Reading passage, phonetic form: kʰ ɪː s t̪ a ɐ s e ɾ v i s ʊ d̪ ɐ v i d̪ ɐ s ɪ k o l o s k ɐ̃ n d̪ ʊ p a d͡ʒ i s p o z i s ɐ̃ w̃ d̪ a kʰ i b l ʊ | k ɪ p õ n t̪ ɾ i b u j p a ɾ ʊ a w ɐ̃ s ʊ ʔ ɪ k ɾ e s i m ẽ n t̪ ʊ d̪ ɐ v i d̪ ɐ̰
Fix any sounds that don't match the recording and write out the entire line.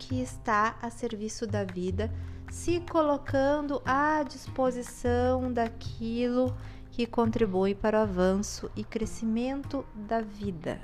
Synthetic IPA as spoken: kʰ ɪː s t̪ a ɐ s e ɾ v i s ʊ d̪ ɐ v i d̪ ɐ s ɪ k o l o k ɐ̃ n d̪ ʊ ʔ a d͡ʒ i s p o z i s ɐ̃ w̃ d̪ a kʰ i l ʊ | k ɪ k õ n t̪ ɾ i b u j p a ɾ ʊ a v ɐ̃ s ʊ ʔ ɪ k ɾ e s i m ẽ n t̪ ʊ d̪ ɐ v i d̪ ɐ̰